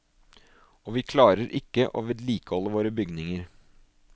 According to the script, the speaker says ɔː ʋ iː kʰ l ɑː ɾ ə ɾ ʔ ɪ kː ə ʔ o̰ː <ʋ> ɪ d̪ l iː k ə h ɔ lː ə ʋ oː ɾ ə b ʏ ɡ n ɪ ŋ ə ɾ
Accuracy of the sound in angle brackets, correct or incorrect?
correct